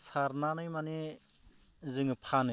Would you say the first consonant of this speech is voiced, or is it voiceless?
voiceless